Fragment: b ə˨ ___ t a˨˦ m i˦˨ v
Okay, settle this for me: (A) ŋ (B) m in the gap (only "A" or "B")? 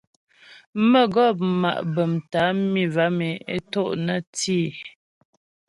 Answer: B